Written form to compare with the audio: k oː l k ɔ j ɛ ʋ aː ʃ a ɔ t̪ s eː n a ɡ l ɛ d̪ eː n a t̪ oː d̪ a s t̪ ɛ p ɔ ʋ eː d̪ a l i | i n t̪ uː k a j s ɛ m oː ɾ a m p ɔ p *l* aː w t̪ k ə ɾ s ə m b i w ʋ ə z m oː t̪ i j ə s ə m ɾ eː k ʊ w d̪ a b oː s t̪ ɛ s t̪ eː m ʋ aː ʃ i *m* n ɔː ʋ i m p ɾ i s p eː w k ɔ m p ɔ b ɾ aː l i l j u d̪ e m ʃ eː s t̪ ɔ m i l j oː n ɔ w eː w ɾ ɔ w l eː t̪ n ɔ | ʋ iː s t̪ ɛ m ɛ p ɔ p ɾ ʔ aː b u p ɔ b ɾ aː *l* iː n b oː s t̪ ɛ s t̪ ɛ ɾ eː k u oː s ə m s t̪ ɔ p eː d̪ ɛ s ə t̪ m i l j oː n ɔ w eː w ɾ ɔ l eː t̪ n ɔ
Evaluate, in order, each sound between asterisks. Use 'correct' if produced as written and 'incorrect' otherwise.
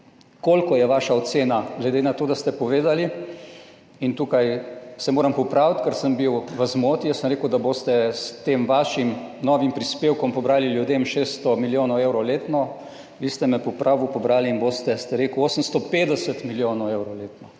incorrect, correct, correct

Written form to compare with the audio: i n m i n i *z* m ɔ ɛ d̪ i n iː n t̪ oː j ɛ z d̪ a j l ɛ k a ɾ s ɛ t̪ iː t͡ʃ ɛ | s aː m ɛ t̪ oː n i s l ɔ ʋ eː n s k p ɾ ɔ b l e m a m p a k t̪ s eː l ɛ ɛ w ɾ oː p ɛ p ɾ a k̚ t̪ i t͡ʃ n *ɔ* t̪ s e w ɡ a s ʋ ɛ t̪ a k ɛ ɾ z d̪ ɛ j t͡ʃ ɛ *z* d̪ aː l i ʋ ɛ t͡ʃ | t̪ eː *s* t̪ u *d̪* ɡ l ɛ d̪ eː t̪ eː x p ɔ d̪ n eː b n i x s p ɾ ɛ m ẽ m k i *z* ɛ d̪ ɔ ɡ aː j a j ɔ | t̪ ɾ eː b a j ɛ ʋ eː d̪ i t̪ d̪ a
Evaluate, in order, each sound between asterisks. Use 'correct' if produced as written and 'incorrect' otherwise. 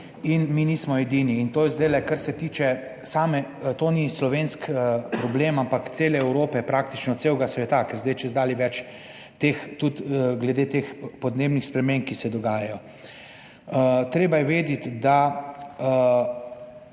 incorrect, correct, correct, incorrect, incorrect, incorrect

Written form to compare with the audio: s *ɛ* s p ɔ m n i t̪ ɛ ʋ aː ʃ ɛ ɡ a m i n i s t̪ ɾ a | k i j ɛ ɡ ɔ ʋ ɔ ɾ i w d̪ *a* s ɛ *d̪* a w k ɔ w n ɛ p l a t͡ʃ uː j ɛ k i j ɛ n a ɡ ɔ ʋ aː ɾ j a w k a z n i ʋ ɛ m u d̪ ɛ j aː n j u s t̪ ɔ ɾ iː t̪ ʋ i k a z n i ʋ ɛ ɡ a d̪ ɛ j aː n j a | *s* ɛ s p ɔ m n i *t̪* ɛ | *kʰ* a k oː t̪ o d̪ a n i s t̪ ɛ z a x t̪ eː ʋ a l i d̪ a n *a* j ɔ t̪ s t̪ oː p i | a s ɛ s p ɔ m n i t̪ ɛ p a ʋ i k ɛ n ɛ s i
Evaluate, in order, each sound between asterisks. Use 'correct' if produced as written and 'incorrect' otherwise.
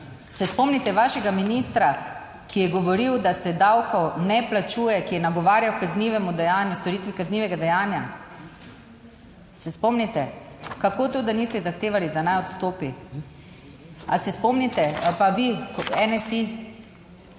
correct, correct, correct, correct, correct, incorrect, correct

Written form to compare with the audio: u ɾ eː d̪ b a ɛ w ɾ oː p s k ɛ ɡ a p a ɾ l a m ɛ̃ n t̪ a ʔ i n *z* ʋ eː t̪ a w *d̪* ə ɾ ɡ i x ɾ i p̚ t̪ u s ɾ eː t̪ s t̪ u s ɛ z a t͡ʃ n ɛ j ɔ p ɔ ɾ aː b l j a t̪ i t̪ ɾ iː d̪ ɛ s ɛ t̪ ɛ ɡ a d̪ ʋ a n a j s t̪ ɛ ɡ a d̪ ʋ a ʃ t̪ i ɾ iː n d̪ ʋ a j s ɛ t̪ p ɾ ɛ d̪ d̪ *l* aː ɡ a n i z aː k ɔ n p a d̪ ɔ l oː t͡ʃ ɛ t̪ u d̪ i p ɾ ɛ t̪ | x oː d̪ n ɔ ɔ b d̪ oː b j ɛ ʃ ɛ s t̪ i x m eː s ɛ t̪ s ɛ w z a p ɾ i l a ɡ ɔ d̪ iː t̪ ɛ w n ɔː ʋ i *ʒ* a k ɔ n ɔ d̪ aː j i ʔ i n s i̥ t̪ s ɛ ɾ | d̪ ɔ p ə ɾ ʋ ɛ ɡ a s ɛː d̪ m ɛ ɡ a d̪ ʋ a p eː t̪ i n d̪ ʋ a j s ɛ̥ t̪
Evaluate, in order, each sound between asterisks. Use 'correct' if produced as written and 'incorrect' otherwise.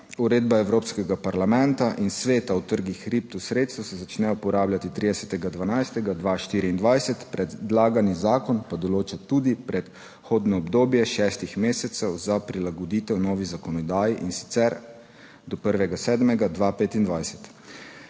incorrect, incorrect, correct, incorrect

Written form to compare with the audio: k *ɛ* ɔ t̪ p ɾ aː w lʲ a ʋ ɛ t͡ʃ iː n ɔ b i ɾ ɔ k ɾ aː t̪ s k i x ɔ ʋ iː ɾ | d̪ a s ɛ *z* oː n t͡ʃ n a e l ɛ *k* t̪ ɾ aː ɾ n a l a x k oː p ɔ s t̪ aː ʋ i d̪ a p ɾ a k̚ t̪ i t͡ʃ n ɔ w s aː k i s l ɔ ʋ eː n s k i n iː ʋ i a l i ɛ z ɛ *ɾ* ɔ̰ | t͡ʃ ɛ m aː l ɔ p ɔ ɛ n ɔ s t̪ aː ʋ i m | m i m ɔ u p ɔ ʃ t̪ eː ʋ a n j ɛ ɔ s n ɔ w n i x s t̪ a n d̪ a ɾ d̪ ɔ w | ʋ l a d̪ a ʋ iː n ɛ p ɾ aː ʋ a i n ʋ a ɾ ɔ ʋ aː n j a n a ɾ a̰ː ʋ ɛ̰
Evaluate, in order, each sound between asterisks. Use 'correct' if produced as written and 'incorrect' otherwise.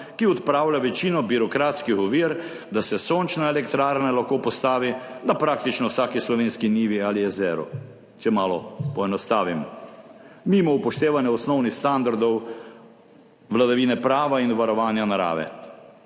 incorrect, incorrect, correct, correct

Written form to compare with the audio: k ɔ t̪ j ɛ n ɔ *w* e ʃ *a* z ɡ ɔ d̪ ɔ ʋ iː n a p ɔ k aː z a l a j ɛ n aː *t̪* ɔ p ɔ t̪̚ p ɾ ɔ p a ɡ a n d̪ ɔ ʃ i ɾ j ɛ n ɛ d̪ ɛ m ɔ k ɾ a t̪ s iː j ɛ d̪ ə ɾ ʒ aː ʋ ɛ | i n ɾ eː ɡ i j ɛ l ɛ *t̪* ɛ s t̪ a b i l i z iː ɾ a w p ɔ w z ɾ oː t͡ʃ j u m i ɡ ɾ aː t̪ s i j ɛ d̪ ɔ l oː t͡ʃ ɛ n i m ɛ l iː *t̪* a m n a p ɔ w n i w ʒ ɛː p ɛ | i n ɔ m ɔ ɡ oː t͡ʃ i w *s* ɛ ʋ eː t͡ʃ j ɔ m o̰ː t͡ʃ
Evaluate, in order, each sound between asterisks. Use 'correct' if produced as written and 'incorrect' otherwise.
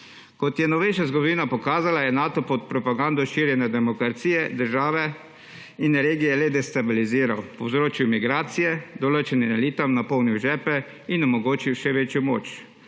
incorrect, correct, correct, incorrect, correct, incorrect

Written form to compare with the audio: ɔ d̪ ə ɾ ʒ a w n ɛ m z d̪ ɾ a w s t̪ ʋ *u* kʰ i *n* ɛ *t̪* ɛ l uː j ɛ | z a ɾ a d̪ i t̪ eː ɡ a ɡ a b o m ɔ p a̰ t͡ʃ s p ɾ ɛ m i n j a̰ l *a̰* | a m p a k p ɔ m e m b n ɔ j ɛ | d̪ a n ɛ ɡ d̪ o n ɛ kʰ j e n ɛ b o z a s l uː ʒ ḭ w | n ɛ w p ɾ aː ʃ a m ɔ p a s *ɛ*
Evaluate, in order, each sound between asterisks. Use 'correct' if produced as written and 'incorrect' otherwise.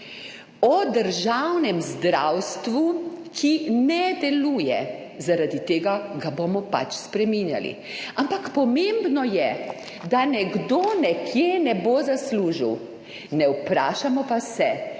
correct, correct, incorrect, incorrect, correct

